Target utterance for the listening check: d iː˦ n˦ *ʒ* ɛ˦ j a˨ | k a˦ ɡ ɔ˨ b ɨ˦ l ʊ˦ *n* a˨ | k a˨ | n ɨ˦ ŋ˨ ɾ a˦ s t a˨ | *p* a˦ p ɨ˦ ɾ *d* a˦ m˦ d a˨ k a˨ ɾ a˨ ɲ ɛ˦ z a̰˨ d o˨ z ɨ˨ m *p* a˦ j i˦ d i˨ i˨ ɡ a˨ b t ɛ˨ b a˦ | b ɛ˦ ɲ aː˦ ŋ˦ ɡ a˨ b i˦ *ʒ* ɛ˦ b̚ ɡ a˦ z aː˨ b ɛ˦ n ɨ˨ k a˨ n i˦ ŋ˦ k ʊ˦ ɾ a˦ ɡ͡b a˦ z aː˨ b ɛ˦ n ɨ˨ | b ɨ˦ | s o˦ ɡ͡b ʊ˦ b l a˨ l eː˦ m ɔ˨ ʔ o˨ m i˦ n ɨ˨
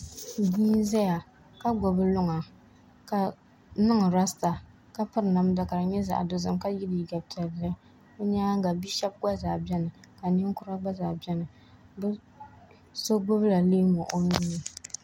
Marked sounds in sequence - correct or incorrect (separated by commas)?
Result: incorrect, incorrect, incorrect, incorrect, incorrect, incorrect